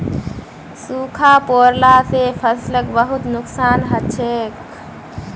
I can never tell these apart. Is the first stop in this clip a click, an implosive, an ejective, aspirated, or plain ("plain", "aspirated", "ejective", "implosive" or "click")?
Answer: aspirated